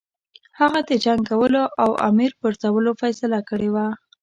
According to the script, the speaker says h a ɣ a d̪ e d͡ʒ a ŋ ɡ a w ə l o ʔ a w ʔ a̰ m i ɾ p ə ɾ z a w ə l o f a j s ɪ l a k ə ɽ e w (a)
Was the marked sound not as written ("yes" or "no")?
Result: no